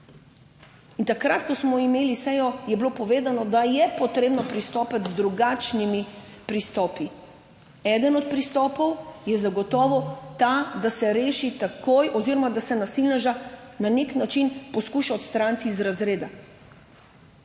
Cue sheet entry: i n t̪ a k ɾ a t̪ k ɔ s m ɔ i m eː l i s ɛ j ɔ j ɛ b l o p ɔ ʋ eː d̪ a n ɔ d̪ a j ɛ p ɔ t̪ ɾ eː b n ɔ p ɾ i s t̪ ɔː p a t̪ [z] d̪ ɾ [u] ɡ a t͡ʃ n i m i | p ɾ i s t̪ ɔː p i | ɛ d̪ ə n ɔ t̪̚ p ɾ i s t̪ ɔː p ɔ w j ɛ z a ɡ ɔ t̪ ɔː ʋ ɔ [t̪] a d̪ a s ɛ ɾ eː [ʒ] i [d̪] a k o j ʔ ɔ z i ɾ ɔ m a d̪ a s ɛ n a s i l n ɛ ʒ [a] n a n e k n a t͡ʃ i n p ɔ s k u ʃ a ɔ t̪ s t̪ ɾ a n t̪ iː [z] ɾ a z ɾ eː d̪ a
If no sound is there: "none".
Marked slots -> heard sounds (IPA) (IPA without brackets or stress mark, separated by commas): z, u, t̪, ʃ, t̪, a, z